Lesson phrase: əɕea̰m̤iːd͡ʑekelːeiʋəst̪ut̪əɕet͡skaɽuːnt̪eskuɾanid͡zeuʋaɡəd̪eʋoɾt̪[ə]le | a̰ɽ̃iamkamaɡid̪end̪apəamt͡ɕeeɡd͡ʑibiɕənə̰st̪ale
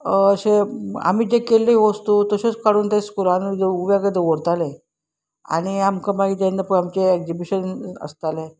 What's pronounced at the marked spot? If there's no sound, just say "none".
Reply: a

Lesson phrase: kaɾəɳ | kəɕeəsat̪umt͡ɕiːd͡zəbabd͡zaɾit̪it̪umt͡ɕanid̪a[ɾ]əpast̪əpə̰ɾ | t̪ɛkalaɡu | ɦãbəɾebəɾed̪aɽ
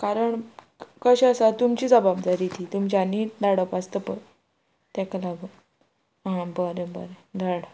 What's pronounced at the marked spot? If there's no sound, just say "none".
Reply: ɽ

